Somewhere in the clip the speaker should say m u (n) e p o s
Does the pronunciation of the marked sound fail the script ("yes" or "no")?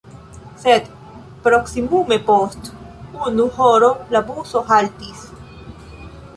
yes